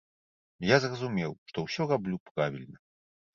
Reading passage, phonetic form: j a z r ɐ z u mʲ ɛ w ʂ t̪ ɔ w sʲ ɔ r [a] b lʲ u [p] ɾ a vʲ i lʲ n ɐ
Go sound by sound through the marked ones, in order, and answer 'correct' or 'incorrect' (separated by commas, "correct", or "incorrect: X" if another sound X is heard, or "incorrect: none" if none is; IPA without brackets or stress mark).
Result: correct, correct